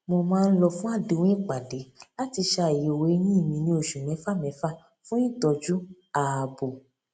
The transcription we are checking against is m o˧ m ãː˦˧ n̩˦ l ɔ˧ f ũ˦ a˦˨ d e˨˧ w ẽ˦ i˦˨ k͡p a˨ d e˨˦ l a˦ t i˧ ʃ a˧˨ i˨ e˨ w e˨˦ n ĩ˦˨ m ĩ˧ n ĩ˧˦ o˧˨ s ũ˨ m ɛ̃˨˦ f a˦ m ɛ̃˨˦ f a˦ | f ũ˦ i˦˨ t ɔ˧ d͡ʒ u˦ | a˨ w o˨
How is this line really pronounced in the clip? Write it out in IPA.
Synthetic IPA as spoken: m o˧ m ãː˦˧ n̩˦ l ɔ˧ f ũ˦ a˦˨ d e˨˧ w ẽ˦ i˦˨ k͡p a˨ d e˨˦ l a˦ t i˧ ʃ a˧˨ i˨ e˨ w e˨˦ n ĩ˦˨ m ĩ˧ n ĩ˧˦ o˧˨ ʃ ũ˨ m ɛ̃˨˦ f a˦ m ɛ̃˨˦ f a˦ | f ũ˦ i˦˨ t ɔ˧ d͡ʒ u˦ | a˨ b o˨